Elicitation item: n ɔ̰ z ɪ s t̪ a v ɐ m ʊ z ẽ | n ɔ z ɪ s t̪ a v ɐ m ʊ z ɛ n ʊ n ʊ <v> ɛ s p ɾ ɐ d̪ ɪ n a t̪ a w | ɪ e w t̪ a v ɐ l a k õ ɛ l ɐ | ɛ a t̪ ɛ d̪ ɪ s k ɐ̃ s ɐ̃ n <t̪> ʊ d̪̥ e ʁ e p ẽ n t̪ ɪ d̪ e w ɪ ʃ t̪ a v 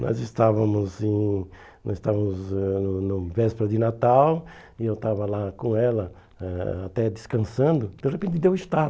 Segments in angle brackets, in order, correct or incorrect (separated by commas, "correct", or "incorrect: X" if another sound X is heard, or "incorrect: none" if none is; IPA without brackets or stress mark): correct, incorrect: d̪